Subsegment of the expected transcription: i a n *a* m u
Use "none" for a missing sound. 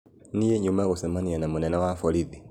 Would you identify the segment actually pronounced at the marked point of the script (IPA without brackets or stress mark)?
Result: a